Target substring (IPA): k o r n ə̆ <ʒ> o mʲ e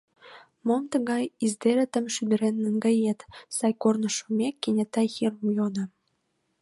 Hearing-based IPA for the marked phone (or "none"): ʃ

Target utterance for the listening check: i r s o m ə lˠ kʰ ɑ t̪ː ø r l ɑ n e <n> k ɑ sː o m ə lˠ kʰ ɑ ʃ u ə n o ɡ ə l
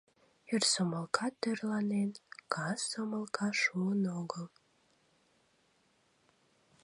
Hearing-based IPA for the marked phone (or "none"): n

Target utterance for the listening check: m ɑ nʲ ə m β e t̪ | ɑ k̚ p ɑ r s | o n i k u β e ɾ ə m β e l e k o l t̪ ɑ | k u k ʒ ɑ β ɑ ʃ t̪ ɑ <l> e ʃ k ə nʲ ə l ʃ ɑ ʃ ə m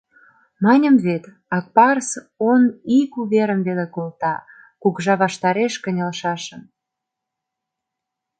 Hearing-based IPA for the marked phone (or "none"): ɾ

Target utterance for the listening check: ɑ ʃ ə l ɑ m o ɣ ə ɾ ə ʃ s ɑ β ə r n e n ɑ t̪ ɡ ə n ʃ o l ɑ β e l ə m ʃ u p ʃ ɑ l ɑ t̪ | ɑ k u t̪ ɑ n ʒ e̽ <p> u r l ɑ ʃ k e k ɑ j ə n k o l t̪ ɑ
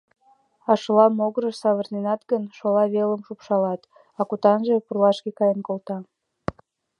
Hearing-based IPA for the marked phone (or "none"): p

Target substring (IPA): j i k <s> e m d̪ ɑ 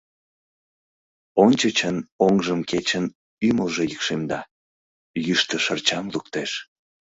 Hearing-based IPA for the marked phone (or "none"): ʃ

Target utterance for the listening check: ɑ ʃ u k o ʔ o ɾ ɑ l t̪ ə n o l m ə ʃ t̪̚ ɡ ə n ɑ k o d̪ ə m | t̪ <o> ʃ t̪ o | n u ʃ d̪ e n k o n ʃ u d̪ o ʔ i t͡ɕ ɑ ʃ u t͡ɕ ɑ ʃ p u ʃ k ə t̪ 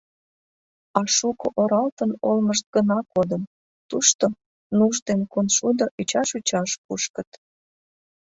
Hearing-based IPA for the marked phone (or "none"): u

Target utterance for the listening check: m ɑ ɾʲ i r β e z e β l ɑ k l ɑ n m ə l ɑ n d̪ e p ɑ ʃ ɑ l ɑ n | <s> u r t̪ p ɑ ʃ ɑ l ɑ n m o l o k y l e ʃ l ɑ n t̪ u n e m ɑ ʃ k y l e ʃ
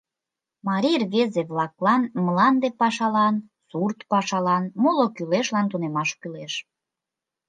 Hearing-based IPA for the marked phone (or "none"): s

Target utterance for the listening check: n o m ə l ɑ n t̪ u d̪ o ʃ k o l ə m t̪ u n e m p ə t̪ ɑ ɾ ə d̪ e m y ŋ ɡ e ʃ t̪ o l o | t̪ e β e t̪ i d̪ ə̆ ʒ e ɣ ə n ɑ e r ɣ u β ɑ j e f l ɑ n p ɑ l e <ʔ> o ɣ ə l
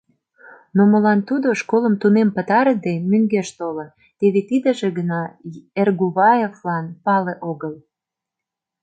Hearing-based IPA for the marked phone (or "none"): ʔ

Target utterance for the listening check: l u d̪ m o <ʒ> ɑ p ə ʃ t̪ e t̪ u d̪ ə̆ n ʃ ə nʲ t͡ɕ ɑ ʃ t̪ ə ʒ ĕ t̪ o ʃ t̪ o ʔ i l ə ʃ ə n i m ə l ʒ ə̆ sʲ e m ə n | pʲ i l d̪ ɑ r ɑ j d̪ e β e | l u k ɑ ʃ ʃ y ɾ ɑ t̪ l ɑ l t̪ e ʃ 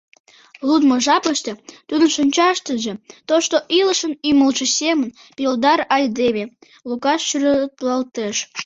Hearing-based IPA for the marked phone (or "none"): ʒ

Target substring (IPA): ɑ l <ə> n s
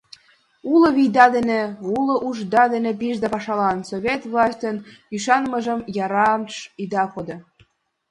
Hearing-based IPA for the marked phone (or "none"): ɑ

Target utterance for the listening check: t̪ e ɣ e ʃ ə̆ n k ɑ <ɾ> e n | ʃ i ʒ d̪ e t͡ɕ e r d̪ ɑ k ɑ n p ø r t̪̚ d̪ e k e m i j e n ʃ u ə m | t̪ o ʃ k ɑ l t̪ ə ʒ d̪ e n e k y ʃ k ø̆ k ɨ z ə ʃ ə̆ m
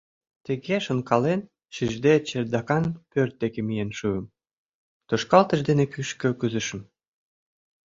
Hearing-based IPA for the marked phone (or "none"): l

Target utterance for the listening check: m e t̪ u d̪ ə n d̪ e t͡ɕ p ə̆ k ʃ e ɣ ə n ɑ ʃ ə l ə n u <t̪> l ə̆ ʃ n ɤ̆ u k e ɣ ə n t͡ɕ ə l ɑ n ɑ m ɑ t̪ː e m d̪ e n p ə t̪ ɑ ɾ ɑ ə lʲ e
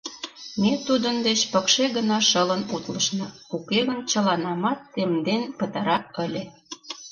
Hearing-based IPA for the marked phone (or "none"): t̪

